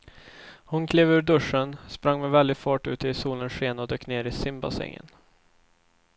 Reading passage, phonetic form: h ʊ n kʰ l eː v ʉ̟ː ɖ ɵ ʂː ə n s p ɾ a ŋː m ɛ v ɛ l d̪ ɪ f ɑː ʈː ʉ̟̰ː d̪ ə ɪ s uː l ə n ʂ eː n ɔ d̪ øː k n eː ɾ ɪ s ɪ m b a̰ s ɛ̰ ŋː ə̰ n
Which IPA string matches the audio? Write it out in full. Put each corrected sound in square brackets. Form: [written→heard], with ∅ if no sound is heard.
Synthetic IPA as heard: h ʊ n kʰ l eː v ʉ̟ː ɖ ɵ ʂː ə n s p ɾ a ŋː m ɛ v ɛ l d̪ ɪ f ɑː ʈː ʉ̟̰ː [d̪→t̪] ə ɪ s uː l ə n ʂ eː n ɔ d̪ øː k n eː ɾ ɪ s ɪ m b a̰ s ɛ̰ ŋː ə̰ n